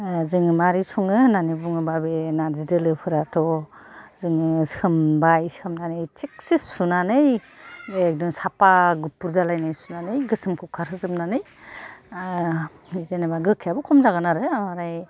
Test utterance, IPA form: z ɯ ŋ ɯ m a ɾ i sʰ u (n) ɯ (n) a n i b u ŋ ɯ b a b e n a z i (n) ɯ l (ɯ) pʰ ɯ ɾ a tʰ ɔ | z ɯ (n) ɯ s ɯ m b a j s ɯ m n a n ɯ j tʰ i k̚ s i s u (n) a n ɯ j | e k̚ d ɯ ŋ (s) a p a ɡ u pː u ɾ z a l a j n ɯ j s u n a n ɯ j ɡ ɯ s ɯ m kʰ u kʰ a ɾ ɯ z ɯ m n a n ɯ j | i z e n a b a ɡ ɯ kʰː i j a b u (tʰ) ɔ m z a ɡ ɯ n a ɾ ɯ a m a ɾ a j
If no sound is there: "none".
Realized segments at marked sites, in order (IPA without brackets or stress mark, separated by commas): ŋ, n, d, ɯ, ŋ, n, s, kʰ